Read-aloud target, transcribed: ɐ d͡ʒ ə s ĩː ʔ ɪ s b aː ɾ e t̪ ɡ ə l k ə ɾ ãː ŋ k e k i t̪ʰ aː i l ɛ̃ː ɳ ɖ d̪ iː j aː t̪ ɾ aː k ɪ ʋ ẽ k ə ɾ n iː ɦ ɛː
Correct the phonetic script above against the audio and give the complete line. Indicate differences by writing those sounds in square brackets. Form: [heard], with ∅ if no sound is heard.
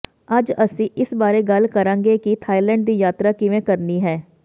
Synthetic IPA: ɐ d͡ʒ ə s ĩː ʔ ɪ s b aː ɾ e [∅] ɡ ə l k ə ɾ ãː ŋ [ɡ] e k i t̪ʰ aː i l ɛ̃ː ɳ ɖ d̪ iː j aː t̪ ɾ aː k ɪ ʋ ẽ k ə ɾ n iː ɦ ɛː